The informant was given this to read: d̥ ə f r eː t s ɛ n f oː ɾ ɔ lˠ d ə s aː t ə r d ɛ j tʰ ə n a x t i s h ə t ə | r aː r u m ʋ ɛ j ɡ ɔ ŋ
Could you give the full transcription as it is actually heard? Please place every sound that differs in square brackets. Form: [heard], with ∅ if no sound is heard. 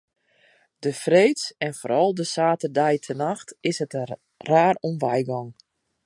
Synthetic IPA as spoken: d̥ ə f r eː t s ɛ n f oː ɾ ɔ lˠ d ə s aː t ə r d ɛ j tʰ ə n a x t [ɪ] s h ə t ə | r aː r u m ʋ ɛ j ɡ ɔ ŋ